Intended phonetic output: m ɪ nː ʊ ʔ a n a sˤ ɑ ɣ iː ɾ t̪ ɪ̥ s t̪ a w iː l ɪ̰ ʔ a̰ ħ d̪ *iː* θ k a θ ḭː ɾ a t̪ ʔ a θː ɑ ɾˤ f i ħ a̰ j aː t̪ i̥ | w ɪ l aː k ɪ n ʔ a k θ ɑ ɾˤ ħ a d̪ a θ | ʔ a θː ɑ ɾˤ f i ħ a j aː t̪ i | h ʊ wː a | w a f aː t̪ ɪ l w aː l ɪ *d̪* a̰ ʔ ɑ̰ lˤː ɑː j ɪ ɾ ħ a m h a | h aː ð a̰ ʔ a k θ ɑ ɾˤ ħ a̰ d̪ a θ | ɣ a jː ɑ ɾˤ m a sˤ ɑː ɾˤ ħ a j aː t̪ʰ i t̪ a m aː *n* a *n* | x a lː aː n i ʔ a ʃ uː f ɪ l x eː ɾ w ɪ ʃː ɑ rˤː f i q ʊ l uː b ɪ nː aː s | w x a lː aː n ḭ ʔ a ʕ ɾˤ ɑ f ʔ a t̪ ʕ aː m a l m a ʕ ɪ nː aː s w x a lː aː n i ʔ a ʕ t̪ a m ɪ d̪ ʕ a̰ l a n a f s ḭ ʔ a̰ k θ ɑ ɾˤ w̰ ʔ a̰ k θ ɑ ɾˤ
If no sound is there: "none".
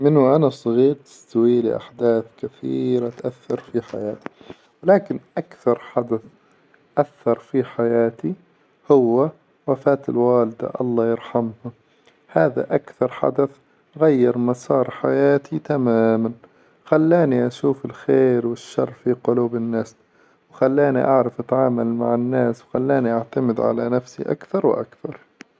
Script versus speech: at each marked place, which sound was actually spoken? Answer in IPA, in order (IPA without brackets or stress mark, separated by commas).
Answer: aː, d̪, m, n